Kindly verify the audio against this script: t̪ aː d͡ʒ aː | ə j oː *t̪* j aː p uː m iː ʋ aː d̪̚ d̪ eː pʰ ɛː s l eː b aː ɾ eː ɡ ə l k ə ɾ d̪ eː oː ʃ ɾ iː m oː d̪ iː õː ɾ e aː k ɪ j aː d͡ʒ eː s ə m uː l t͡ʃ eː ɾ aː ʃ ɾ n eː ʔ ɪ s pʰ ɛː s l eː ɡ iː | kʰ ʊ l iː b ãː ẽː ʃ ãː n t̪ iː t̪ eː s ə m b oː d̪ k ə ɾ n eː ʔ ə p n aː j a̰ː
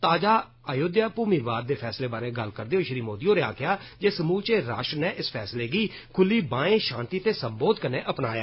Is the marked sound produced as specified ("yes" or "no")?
no